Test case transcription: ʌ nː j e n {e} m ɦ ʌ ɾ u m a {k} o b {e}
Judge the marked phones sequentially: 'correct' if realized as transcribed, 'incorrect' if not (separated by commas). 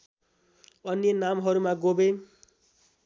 incorrect, incorrect, correct